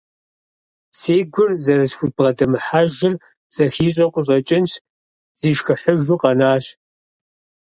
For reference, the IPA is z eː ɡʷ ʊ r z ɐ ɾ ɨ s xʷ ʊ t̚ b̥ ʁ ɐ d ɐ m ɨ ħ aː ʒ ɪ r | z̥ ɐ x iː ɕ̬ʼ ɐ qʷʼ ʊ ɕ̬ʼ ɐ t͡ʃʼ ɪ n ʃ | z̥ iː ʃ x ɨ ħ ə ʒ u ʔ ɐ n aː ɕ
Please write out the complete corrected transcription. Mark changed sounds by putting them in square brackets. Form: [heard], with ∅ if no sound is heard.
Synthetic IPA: [s] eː ɡʷ ʊ r z ɐ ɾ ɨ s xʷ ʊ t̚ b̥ ʁ ɐ d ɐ m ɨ ħ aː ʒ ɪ r | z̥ ɐ x iː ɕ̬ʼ ɐ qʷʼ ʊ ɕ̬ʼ ɐ t͡ʃʼ ɪ n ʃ | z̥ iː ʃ x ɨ ħ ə ʒ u [q] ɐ n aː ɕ